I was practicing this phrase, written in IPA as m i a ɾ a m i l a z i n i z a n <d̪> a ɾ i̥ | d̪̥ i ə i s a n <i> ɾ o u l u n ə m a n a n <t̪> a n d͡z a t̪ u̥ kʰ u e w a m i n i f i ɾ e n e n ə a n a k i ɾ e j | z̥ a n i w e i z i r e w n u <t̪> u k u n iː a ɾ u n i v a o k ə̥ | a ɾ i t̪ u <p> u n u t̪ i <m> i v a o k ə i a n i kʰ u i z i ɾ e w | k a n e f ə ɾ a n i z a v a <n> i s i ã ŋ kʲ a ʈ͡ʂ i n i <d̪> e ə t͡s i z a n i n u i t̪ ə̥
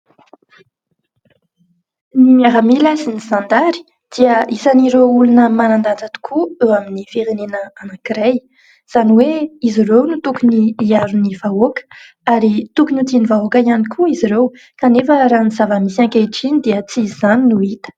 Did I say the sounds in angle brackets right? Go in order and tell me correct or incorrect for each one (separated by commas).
correct, correct, incorrect, correct, incorrect, incorrect, incorrect, correct